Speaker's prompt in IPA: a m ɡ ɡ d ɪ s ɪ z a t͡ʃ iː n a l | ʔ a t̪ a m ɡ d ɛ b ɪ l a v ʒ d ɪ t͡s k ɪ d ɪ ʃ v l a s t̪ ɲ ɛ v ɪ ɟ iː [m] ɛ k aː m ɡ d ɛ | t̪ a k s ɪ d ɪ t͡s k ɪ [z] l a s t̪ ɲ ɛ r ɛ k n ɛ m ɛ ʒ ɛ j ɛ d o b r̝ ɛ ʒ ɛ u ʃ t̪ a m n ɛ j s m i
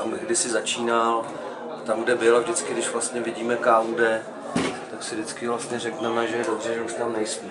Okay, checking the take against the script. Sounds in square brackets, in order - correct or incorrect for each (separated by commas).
correct, incorrect